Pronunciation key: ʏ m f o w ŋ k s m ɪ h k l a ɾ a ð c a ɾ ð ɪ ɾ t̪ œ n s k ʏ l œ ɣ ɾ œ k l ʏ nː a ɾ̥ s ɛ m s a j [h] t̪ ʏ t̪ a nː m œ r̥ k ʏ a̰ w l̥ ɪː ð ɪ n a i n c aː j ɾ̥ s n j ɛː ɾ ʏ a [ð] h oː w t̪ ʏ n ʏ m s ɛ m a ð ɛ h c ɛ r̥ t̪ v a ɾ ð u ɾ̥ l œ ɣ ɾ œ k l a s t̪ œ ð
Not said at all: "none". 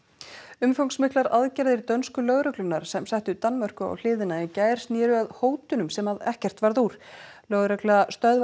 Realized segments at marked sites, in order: h, ð

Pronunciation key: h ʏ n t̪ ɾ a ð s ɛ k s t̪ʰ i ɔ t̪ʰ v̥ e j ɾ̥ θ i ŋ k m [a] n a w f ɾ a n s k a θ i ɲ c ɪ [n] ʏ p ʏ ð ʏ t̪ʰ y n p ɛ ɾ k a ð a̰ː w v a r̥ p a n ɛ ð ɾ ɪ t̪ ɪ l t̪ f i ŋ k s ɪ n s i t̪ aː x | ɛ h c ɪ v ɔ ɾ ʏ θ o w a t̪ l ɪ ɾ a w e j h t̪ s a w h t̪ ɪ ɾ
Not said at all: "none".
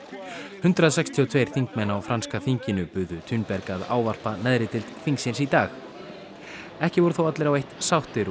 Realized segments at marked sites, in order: ɛ, n

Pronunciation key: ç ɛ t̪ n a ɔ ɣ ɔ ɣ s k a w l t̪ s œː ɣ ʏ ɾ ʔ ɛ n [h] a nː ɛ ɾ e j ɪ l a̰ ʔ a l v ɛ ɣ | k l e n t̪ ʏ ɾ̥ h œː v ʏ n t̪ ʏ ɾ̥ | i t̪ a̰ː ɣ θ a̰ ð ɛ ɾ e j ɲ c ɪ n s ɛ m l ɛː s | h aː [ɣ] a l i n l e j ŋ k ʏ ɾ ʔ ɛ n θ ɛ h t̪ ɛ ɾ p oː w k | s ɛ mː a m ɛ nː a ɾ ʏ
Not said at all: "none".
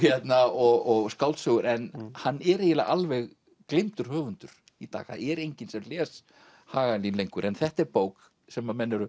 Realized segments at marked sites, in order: h, ɣ

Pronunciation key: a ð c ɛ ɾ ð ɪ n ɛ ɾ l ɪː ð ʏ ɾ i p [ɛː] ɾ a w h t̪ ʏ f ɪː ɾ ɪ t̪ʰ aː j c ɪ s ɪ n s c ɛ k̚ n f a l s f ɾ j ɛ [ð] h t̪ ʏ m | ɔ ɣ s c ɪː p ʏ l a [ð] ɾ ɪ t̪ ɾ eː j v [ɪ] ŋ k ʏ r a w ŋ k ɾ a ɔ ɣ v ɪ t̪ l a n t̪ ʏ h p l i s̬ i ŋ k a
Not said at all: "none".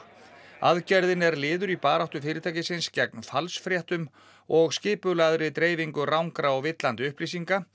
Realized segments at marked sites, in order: aː, none, ð, i

